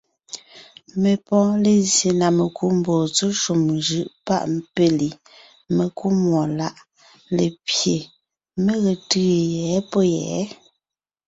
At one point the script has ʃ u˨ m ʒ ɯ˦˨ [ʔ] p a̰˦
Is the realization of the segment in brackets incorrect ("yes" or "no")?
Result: no